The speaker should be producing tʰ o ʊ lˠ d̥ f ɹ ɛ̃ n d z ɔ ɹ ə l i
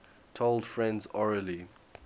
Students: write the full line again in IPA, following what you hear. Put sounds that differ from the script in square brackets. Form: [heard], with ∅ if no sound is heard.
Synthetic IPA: tʰ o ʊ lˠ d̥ f ɹ ɛ̃ n d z ɔ ɹ ə l i